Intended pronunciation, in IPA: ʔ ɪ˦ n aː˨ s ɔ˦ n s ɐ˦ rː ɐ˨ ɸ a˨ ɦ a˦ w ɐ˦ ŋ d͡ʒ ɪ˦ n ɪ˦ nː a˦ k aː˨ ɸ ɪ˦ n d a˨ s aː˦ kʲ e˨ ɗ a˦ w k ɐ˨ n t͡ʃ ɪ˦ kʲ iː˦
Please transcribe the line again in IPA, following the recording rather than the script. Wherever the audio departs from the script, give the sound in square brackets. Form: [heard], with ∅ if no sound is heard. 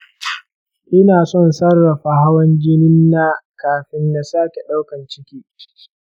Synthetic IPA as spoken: ʔ ɪ˦ n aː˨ s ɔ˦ n s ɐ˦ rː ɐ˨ ɸ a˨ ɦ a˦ w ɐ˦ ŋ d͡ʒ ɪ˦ n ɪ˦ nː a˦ k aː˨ ɸ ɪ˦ n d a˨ s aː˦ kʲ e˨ ɗ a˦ w k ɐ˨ n t͡ʃ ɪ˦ kʲ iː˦

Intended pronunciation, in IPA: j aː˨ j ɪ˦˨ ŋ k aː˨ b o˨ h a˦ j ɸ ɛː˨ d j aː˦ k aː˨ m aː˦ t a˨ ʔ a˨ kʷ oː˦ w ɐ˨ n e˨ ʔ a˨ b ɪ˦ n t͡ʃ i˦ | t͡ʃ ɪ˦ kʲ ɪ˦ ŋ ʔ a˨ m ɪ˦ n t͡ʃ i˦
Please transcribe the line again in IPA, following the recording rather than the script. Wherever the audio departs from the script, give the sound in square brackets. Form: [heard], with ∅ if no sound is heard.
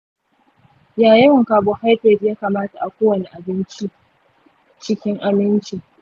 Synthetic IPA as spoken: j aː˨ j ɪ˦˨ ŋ k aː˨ b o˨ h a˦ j ɸ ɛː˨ d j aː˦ k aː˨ m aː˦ t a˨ ʔ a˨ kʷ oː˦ w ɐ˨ n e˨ ʔ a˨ b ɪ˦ n t͡ʃ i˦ | t͡ʃ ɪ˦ kʲ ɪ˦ ŋ ʔ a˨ m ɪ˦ n t͡ʃ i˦

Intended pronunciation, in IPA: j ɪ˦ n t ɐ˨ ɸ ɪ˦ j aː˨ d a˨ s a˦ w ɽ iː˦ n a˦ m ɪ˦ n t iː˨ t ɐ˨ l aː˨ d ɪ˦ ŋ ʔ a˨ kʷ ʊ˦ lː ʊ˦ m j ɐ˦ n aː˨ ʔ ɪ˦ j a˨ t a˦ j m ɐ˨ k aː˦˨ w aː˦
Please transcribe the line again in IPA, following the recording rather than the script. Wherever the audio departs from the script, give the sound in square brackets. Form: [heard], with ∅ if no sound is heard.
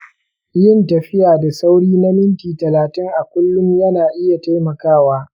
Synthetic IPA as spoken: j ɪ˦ n t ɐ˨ ɸ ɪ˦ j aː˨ d a˨ s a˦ w ɽ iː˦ n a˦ m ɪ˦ n t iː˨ t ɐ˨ l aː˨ [t] ɪ˦ ŋ ʔ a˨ kʷ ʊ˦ lː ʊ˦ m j ɐ˦ n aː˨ ʔ ɪ˦ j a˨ t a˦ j m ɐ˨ k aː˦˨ w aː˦

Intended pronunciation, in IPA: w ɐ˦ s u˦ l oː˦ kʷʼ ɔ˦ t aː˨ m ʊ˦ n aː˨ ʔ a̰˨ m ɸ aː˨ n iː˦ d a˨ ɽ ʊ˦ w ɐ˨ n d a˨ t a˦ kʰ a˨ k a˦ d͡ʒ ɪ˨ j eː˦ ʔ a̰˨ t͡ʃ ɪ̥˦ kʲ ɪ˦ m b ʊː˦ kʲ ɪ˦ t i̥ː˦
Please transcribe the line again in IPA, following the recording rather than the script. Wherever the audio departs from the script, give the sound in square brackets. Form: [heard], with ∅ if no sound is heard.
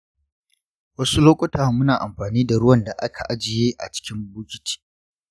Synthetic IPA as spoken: w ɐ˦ s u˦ l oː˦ kʷʼ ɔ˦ t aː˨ m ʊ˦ n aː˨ ʔ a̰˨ m ɸ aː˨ n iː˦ d a˨ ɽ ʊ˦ w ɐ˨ n d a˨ [ʔ] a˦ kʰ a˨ [ʔ] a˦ d͡ʒ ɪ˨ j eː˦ ʔ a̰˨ t͡ʃ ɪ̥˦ kʲ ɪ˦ m b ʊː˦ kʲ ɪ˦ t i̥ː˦

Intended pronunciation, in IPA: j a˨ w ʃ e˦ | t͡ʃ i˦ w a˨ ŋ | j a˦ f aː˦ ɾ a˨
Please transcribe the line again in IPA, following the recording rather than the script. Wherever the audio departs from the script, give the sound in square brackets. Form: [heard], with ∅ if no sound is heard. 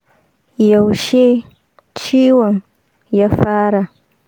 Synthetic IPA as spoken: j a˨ w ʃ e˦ | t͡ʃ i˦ w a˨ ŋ | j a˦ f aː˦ ɾ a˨

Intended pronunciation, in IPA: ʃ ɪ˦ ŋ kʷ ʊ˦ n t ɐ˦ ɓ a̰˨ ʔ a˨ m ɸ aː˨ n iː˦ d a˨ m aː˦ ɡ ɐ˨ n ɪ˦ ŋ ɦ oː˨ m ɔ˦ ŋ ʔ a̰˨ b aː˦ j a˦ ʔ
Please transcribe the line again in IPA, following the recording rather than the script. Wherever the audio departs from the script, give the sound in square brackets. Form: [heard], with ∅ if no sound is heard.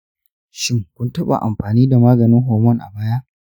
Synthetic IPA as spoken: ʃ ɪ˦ ŋ kʷ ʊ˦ n t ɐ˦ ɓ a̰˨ ʔ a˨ m ɸ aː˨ n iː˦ d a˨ m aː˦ ɡ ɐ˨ n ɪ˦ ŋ ɦ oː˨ m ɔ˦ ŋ ʔ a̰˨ b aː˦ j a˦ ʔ

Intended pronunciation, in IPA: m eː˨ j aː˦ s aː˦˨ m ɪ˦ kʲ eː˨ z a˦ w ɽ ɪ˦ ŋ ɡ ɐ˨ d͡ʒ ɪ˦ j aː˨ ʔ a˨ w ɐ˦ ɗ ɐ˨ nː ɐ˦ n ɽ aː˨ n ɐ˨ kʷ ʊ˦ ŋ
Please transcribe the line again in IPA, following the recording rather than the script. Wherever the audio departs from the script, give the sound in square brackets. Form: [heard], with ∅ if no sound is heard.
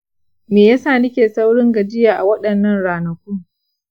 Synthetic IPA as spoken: m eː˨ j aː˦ s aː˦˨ [n] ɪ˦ kʲ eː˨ [s] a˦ w ɽ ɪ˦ ŋ ɡ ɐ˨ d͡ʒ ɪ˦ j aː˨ ʔ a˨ w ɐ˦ ɗ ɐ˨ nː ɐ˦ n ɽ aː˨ n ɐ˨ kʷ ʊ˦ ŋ

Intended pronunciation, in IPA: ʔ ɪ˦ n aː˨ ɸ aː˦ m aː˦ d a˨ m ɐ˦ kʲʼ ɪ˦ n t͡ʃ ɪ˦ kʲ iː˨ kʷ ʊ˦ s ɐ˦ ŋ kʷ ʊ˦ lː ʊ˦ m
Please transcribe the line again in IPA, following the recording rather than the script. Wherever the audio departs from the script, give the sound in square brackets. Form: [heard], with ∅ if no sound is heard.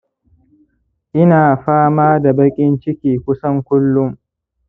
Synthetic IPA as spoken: ʔ ɪ˦ n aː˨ ɸ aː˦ m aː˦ d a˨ [b] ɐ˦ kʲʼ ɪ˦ n t͡ʃ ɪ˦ kʲ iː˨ kʷ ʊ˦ s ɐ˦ ŋ kʷ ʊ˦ lː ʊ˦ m

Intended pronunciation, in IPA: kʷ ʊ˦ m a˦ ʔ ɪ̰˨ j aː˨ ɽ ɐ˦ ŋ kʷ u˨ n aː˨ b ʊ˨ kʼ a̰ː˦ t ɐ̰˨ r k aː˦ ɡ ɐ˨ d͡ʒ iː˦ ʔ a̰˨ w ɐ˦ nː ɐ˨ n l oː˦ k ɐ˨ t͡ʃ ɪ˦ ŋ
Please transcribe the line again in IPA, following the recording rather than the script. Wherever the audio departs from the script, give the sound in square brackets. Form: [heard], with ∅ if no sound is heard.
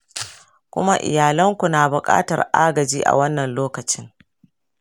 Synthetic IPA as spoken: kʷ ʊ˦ m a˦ ʔ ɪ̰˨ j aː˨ [l] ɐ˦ ŋ kʷ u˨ n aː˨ b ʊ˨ kʼ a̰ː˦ t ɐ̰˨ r [ʔ] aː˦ ɡ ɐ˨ d͡ʒ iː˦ ʔ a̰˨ w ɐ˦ nː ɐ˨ n l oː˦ k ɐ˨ t͡ʃ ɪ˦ ŋ

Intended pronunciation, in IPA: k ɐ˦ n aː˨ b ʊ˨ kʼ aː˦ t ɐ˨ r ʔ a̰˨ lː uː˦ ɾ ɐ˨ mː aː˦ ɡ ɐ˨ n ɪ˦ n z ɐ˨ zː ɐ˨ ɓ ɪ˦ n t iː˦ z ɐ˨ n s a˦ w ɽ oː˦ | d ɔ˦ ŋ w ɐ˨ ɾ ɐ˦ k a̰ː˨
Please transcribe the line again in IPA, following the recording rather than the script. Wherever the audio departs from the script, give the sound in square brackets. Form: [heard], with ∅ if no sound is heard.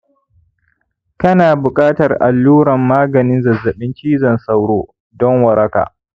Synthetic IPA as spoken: k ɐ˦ n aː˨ b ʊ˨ kʼ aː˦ t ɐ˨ r ʔ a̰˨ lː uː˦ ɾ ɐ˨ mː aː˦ ɡ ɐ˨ n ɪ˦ n z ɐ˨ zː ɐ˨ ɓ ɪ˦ n [t͡ʃ] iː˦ z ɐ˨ n s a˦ w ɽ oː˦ | d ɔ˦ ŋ w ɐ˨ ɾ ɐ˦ k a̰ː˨

